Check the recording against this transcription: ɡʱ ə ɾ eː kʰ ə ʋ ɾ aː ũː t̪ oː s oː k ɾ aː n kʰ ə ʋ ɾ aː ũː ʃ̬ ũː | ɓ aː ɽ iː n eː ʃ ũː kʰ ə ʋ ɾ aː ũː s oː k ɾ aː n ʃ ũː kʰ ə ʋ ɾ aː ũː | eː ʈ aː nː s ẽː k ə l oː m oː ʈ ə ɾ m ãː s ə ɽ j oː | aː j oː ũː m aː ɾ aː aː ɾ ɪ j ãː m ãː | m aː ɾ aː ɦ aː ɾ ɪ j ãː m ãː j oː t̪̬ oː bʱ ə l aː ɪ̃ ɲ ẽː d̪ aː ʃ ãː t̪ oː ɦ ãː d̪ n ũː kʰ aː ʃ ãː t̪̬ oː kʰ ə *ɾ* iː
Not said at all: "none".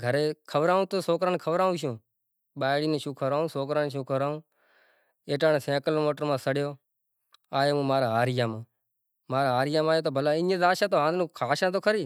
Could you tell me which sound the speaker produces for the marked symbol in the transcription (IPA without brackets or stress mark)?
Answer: ɾ